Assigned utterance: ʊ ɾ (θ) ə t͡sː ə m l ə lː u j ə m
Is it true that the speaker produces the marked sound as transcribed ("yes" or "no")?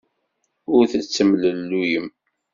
yes